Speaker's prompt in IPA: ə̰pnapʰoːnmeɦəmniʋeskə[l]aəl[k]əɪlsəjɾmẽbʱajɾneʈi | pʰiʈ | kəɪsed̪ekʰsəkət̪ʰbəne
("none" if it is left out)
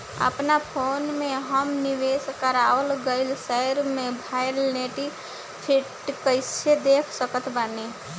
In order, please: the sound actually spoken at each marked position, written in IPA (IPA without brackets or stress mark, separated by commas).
ɾ, ɡ